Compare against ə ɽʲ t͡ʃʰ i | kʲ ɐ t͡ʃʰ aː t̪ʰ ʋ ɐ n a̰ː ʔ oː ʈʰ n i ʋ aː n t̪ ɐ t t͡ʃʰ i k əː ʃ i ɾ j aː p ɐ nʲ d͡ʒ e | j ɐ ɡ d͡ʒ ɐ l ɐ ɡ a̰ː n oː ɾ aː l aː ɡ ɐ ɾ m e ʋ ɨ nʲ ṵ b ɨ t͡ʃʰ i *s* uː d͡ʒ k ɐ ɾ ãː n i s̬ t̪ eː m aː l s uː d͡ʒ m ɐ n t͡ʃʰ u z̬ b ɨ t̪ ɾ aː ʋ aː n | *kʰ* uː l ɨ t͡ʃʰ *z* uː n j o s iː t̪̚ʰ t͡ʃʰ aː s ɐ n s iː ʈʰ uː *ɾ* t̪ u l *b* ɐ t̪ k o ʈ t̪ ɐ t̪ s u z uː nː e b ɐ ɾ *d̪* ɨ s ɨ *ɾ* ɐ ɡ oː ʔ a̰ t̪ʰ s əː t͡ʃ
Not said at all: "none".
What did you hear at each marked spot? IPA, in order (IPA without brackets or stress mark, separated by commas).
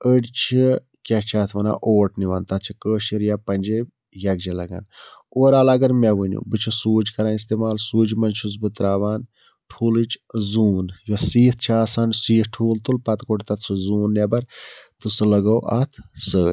s, ʈʰ, z, l, p, t̪, l